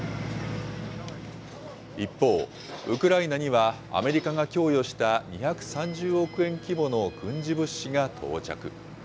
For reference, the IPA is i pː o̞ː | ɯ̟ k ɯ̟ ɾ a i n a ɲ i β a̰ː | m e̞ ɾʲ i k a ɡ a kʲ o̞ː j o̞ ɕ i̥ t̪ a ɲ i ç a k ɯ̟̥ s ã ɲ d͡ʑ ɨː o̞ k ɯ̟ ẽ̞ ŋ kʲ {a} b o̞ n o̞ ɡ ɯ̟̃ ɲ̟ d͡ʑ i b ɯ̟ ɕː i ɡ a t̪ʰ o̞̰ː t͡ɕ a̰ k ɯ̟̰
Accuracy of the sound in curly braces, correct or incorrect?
incorrect